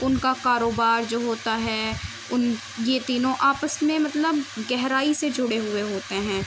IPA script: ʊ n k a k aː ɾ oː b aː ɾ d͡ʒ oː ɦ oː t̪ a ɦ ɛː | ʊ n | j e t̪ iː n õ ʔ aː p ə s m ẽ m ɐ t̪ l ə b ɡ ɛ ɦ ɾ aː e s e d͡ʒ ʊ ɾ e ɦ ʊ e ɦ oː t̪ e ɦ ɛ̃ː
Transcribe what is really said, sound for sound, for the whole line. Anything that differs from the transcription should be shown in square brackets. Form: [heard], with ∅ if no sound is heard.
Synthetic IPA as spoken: ʊ n k a k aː ɾ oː b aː ɾ d͡ʒ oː ɦ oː t̪ a ɦ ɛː | ʊ n | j e t̪ iː n õ ʔ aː p ə s m ẽ m ɐ t̪ l ə b ɡ ɛ ɦ ɾ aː [i] s e d͡ʒ ʊ [ɽ] e ɦ ʊ e ɦ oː t̪ e ɦ ɛ̃ː